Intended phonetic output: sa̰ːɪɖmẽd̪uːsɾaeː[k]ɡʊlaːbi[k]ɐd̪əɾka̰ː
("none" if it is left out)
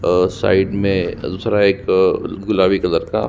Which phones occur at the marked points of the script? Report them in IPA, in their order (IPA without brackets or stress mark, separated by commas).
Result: k, k